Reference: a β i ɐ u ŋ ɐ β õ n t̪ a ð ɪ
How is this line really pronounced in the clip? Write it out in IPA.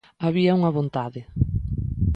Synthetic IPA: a β i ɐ u ŋ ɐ β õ n t̪ a ð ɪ